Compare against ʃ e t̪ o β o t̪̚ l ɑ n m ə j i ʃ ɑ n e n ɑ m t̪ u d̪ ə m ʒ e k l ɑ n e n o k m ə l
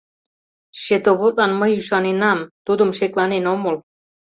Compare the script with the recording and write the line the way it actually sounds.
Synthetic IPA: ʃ e t̪ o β o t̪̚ l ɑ n m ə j y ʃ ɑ n e n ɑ m t̪ u d̪ ə m ʃ e k l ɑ n e n o m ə l